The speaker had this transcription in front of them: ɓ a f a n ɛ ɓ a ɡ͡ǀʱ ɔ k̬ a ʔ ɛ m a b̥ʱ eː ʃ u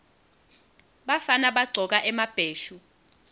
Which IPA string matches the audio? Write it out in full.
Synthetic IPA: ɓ a f a n a ɓ a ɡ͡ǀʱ ɔ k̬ a ʔ ɛ m a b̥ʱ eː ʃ u